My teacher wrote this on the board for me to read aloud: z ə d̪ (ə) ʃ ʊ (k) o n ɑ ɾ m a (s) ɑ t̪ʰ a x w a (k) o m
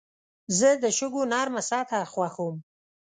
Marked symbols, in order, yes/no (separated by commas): yes, no, yes, no